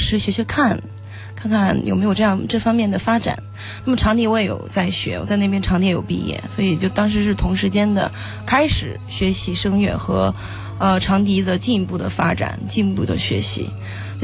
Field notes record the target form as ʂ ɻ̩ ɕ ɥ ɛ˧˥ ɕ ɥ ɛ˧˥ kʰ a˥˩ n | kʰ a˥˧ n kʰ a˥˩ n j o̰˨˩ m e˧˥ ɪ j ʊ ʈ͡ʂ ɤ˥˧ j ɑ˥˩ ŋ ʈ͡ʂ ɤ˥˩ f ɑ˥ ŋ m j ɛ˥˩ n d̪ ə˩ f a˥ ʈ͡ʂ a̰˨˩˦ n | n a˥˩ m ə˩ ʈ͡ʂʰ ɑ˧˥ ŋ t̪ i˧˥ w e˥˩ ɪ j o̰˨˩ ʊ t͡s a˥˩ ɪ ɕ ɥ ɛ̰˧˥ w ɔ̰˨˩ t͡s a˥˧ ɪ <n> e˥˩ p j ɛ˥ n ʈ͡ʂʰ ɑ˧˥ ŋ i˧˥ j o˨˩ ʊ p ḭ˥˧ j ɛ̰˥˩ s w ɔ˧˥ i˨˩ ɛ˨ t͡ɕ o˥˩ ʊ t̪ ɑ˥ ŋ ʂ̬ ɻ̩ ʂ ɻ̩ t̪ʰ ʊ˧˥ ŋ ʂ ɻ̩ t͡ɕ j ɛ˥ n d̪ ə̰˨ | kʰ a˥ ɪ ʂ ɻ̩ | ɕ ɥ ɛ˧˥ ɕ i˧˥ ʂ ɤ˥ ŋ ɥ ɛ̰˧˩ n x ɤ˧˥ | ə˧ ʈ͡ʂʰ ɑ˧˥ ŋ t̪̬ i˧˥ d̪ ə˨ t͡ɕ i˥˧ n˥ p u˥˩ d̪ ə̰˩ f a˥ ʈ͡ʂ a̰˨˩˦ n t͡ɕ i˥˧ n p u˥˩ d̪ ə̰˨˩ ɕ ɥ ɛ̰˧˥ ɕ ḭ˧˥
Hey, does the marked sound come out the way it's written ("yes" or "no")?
yes